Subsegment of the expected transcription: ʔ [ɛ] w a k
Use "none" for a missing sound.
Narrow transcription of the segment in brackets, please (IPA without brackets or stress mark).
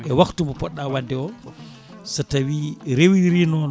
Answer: ɛ